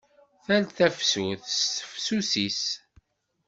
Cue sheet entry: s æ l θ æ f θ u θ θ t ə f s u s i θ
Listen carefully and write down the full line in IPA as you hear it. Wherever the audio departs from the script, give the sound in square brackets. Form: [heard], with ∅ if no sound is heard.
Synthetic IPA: [θ] æ l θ æ f [s] u θ [s] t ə f s u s i [s]